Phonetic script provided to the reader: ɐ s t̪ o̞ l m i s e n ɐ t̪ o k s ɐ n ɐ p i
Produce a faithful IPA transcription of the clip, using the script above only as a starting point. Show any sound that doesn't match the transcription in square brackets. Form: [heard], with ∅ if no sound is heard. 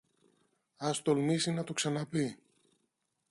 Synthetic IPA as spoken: ɐ s t̪ o̞ l m i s [i] n ɐ t̪ o k s ɐ n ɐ p i